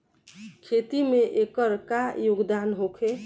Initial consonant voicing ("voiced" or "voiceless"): voiceless